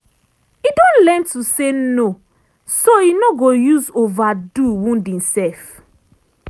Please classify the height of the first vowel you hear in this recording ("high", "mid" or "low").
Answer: high